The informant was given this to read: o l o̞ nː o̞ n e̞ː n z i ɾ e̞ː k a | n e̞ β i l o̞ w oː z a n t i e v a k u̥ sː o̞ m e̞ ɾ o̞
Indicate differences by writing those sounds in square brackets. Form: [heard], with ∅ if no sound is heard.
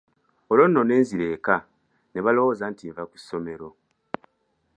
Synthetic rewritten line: o l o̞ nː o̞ n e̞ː n z i ɾ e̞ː k a | n e̞ β [a] l o̞ w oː z a n t i e v a k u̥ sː o̞ m e̞ ɾ o̞